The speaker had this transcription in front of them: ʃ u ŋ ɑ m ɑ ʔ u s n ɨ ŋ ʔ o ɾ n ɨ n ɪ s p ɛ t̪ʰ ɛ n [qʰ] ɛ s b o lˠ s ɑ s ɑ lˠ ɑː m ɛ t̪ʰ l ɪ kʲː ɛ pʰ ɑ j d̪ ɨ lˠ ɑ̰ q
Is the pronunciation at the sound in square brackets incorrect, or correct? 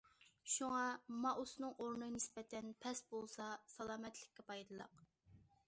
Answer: incorrect